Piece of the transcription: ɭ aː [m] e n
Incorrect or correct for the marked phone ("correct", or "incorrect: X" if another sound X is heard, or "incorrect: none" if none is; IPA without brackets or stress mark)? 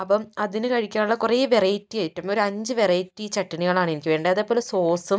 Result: incorrect: ɳ